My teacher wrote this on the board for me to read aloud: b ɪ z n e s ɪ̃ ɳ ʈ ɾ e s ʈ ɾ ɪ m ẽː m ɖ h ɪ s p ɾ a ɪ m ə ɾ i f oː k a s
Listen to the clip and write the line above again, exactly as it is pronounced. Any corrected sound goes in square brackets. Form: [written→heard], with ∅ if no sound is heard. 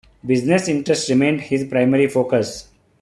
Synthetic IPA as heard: b ɪ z n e s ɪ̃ ɳ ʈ ɾ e s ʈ ɾ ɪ m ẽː [m→ɳ] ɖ h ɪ [s→z] p ɾ a ɪ m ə ɾ i f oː k [a→ə] s